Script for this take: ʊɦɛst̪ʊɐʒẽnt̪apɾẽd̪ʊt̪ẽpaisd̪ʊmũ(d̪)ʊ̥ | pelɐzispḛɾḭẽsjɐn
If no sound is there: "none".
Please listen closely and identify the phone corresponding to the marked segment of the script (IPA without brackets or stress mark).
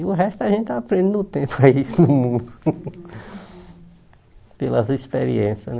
d̪